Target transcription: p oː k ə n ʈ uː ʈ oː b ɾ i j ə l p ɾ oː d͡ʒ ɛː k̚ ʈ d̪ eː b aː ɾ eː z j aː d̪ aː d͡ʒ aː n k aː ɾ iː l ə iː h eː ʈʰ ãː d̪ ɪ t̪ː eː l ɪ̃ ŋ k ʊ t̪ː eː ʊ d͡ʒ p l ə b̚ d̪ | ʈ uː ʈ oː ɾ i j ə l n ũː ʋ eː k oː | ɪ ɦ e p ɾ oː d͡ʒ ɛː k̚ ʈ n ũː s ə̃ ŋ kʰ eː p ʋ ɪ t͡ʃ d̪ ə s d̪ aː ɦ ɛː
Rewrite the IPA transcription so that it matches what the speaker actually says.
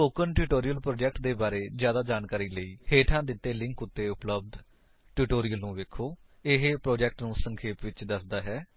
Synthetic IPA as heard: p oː k ə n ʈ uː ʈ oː ɾ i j ə l p ɾ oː d͡ʒ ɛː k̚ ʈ d̪ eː b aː ɾ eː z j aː d̪ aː d͡ʒ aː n k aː ɾ iː l ə iː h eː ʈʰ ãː d̪ ɪ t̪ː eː l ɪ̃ ŋ k ʊ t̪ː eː ʊ p l ə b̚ d̪ | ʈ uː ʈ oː ɾ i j ə l n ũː ʋ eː kʰ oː | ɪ ɦ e p ɾ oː d͡ʒ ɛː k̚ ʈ n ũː s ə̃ ŋ kʰ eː p ʋ ɪ t͡ʃ d̪ ə s d̪ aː ɦ ɛː